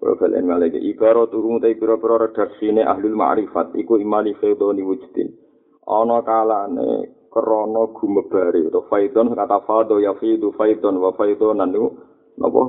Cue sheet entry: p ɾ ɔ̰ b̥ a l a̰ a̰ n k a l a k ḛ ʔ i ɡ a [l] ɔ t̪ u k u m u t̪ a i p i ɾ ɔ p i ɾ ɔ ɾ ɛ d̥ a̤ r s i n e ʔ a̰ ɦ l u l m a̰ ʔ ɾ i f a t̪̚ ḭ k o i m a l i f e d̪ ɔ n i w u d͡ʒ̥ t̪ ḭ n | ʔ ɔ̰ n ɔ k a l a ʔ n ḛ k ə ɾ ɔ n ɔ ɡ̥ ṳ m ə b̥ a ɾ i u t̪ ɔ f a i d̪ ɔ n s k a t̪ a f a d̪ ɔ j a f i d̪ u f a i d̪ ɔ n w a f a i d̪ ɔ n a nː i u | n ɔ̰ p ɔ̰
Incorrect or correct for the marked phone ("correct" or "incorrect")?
incorrect